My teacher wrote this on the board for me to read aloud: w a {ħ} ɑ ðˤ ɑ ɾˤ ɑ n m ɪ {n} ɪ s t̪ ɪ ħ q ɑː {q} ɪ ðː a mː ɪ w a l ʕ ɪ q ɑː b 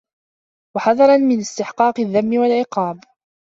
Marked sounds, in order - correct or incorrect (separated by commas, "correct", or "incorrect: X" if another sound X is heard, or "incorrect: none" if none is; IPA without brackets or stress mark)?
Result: correct, correct, correct